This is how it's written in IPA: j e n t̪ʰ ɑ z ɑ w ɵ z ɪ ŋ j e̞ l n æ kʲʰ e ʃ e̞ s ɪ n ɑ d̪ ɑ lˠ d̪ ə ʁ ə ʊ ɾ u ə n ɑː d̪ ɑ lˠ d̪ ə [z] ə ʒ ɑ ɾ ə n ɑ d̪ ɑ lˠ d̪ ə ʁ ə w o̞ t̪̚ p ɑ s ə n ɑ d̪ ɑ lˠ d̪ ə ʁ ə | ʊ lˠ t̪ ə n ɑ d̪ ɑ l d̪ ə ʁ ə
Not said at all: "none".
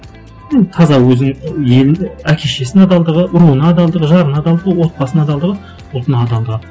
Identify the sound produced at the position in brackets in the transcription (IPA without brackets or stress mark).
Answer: ʁ